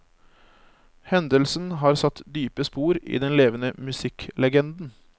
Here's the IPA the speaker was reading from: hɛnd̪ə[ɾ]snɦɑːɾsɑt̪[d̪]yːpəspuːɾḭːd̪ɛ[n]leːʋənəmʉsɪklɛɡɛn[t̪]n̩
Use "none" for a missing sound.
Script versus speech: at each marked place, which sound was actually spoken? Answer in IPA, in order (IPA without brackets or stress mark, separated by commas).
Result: l, d̪, n, d̪